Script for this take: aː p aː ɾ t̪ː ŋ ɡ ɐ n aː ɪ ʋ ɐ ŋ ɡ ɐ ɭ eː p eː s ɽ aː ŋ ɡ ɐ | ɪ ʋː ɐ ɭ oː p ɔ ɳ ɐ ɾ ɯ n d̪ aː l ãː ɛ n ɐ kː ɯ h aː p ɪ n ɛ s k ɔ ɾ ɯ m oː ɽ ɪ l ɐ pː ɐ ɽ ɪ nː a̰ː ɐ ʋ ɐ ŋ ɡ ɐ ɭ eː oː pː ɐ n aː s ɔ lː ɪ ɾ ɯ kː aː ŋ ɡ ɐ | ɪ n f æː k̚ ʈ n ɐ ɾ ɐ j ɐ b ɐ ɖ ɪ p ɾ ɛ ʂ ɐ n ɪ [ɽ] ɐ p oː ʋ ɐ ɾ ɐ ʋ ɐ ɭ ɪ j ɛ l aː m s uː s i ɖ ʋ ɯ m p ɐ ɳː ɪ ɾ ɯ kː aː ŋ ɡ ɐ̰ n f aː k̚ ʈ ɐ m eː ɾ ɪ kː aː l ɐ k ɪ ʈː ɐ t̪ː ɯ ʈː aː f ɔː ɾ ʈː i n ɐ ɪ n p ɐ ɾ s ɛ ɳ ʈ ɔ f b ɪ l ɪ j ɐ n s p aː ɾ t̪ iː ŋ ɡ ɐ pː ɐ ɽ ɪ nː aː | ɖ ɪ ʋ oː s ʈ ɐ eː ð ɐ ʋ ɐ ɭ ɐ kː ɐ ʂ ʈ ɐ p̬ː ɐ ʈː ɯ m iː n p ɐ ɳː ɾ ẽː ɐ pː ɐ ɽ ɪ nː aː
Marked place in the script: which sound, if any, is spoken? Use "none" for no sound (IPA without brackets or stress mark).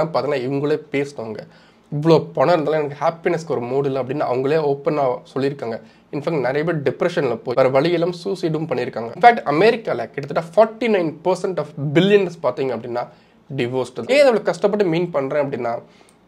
l